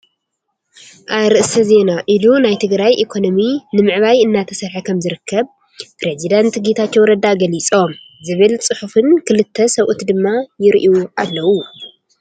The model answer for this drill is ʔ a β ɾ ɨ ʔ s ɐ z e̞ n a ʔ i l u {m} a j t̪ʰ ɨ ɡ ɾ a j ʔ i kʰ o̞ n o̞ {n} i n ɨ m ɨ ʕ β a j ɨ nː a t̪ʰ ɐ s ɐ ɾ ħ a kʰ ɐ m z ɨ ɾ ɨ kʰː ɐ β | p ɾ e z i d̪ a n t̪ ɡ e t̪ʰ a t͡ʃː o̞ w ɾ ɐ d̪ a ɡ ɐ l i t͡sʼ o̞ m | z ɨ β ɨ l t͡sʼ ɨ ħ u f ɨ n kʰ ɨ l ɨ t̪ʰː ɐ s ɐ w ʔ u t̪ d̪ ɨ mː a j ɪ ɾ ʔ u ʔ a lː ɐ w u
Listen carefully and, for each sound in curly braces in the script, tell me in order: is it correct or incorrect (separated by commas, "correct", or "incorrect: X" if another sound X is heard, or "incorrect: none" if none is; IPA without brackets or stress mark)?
incorrect: n, incorrect: m